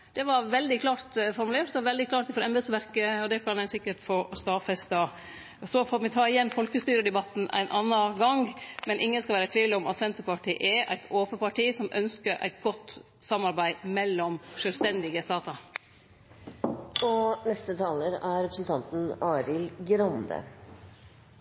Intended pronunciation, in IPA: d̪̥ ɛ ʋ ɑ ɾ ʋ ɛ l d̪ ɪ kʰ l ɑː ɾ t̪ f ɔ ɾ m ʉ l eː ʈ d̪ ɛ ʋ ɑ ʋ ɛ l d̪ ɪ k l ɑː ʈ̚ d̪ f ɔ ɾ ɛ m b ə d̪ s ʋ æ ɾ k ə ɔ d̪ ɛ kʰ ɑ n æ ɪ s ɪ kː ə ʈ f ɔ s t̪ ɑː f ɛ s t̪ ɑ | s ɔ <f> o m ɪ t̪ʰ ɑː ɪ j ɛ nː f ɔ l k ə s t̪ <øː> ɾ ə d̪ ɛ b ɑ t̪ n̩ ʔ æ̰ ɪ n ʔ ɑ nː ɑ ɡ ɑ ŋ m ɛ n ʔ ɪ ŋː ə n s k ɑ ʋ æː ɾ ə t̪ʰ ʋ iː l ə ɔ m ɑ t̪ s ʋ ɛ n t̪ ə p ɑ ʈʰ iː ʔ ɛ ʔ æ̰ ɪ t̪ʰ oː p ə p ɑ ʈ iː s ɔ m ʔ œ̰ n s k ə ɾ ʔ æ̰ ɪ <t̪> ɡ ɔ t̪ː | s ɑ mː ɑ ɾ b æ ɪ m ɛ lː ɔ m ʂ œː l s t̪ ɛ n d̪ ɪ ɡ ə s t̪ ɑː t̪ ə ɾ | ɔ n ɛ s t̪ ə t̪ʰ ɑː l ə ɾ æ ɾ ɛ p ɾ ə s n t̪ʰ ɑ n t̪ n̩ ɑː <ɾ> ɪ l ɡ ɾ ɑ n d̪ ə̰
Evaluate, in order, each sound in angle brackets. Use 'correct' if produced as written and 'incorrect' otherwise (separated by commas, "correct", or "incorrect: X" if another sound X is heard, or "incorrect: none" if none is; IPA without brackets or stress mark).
correct, incorrect: yː, correct, correct